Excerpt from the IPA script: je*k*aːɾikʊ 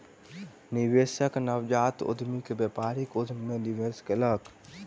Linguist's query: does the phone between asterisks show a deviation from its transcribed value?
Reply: yes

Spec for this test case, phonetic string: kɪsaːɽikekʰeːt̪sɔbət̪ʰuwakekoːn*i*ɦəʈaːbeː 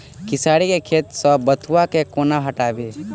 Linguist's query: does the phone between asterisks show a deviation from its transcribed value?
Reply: yes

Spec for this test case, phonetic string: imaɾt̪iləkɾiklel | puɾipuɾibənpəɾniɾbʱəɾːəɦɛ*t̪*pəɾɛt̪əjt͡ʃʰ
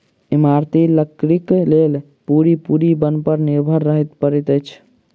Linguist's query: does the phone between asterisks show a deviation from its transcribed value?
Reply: no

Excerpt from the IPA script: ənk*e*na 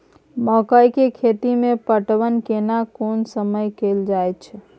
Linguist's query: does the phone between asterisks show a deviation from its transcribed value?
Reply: no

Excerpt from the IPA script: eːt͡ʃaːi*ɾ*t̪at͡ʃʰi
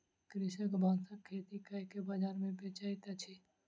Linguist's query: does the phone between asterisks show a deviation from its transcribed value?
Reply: yes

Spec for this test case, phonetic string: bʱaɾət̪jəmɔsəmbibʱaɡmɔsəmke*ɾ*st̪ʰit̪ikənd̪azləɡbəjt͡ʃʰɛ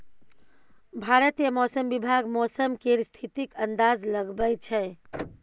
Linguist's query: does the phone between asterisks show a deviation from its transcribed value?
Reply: no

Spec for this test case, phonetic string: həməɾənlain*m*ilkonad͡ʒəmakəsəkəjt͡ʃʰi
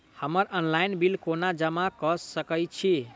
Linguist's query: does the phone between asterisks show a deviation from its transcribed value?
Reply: yes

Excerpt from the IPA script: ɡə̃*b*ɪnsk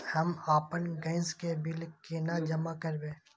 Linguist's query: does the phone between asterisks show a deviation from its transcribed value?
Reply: yes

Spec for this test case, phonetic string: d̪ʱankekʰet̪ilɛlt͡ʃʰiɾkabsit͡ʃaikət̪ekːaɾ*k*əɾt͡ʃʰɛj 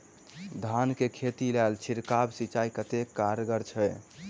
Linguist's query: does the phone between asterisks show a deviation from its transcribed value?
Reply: yes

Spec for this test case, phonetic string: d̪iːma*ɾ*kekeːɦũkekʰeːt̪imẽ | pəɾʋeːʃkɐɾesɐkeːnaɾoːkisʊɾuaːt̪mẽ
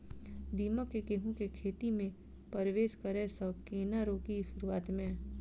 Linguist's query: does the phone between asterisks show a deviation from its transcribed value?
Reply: yes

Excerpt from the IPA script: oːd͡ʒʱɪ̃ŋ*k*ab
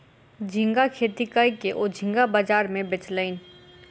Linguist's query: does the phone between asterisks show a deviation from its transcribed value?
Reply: yes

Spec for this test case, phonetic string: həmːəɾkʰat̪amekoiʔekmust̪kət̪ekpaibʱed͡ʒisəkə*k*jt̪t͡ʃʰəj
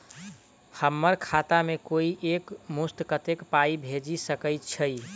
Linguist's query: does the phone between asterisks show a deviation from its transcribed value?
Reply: yes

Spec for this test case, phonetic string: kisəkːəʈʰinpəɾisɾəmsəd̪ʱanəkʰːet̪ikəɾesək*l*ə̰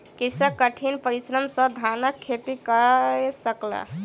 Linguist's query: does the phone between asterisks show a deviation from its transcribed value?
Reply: no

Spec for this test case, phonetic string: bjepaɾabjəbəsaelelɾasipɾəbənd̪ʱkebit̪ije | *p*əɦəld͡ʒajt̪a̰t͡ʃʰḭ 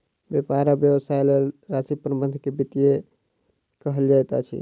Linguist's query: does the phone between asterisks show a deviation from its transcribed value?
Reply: yes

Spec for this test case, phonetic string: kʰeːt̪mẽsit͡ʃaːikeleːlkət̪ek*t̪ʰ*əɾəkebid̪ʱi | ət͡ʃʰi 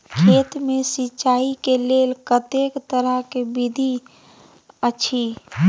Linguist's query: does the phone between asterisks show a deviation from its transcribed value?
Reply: yes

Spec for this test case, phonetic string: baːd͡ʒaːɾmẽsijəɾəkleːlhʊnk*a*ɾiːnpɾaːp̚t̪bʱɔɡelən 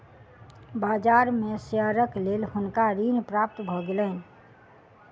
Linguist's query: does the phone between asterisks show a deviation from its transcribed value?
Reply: no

